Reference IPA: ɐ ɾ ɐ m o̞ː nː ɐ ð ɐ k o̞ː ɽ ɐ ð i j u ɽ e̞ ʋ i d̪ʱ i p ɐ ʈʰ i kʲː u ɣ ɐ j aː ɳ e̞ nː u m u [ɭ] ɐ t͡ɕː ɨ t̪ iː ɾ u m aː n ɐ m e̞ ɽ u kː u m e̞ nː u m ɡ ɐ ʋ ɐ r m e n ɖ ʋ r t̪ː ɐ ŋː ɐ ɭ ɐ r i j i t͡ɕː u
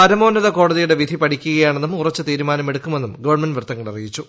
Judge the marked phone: incorrect: r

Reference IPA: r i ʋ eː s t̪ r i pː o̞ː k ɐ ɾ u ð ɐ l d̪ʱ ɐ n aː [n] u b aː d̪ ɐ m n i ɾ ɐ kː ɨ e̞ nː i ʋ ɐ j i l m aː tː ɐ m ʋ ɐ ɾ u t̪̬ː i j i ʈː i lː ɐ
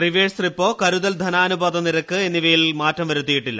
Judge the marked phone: correct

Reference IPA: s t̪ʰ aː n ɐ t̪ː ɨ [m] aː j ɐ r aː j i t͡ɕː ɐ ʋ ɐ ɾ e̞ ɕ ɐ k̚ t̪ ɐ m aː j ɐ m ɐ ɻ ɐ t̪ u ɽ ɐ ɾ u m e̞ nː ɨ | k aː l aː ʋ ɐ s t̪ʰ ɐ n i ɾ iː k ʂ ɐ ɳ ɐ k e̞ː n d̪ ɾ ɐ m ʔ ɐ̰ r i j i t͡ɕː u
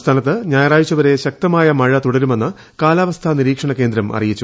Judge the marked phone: incorrect: ɲ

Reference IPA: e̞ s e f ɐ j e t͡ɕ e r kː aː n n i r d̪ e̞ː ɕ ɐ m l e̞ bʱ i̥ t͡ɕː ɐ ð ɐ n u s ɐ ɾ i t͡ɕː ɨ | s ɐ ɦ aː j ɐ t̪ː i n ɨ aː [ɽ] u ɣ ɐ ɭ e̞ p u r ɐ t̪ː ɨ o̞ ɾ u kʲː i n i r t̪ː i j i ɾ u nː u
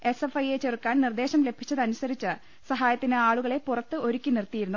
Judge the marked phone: incorrect: ɭ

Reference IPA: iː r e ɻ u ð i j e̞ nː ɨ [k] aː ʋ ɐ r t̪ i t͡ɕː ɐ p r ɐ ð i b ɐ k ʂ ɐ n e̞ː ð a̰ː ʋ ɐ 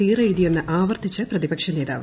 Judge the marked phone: incorrect: ʔ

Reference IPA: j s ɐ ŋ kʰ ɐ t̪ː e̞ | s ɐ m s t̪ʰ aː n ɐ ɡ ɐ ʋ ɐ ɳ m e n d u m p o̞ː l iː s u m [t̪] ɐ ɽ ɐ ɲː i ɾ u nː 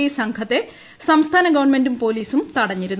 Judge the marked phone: correct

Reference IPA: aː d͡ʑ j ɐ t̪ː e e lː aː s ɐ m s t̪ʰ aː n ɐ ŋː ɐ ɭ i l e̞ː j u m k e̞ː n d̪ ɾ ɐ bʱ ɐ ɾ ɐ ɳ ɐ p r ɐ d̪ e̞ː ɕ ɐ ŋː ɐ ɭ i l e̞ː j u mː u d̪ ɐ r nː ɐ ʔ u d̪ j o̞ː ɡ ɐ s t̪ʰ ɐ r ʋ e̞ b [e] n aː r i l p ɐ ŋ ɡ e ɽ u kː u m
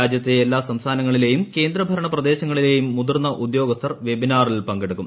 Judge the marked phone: incorrect: i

